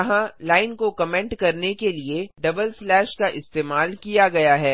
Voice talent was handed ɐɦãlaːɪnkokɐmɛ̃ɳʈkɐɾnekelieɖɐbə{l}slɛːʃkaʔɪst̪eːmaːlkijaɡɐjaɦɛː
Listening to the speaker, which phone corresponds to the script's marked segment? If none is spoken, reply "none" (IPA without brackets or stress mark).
l